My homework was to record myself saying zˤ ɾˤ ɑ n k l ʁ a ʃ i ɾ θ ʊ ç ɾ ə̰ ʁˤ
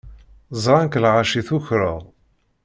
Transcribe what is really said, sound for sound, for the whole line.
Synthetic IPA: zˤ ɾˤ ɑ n k l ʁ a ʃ i θ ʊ ç ɾ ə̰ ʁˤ